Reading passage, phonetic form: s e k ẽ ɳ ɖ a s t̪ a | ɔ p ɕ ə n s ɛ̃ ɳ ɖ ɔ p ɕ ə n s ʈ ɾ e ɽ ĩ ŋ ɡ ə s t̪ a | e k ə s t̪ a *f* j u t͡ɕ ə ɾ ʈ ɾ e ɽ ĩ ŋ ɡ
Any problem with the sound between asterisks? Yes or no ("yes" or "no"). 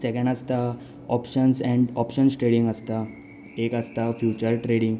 no